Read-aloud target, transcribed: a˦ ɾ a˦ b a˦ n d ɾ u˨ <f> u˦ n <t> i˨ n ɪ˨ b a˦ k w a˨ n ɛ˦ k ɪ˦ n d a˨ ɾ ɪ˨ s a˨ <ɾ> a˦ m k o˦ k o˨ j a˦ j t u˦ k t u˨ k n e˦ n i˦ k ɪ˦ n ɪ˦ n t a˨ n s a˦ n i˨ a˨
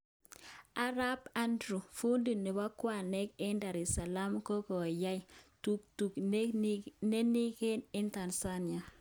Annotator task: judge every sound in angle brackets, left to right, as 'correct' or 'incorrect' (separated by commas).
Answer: correct, incorrect, incorrect